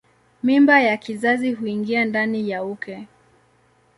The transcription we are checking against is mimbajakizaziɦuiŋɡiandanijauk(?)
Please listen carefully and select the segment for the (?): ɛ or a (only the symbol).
ɛ